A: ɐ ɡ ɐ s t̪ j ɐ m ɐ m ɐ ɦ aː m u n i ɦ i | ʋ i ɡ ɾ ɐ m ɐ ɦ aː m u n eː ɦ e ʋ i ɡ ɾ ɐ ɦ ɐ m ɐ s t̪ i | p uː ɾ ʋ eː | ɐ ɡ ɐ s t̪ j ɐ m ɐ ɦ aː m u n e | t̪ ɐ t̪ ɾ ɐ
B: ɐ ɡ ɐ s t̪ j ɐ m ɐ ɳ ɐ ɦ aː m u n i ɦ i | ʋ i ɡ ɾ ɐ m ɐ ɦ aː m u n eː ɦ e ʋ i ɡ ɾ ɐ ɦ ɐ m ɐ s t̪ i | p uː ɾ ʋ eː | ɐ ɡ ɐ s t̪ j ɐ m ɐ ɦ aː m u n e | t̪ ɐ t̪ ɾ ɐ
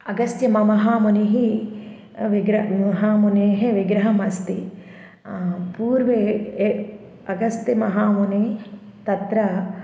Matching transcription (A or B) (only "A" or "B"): A